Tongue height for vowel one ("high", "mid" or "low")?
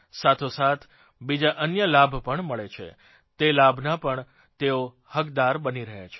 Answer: low